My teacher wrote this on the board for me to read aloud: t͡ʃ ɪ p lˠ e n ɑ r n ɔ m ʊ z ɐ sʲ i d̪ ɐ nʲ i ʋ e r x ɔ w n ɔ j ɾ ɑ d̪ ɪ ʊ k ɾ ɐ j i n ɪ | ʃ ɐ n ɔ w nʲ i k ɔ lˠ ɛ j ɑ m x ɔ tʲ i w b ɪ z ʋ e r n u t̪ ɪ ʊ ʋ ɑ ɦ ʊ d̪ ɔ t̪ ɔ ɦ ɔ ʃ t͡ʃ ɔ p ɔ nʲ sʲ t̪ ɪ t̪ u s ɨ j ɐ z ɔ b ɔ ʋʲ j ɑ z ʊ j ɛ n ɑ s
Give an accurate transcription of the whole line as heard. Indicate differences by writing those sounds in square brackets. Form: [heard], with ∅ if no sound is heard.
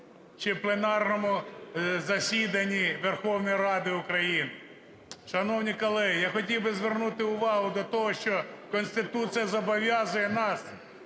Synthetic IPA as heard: t͡ʃ ɪ p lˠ e n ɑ r n ɔ m ʊ z ɐ sʲ i d̪ ɐ nʲ i ʋ e r x ɔ w n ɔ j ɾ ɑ d̪ ɪ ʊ k ɾ ɐ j i n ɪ | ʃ ɐ n ɔ w nʲ i k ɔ lˠ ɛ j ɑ [∅] x ɔ tʲ i w b ɪ z ʋ e r n u t̪ ɪ ʊ ʋ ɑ ɦ ʊ d̪ ɔ t̪ ɔ ɦ ɔ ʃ t͡ʃ ɔ [k] ɔ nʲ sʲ t̪ ɪ t̪ u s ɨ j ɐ z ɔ b ɔ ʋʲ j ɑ z ʊ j ɛ n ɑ s